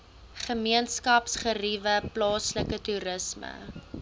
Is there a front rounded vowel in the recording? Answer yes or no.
no